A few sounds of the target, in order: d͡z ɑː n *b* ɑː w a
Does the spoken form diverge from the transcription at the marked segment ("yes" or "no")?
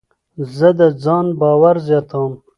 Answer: no